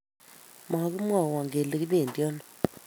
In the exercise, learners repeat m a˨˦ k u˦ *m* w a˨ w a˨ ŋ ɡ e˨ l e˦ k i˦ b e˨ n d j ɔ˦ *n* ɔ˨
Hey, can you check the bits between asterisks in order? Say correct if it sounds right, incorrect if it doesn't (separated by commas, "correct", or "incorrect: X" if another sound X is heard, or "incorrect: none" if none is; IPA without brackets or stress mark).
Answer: correct, correct